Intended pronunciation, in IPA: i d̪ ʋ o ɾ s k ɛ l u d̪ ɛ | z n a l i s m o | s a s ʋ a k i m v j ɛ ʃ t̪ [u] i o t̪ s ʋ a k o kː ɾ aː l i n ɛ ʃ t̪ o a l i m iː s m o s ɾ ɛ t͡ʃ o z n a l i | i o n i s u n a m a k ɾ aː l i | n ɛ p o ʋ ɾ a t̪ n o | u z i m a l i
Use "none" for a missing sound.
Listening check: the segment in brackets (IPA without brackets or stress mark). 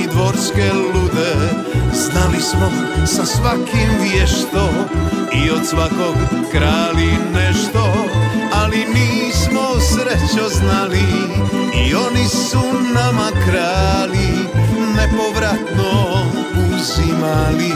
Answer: o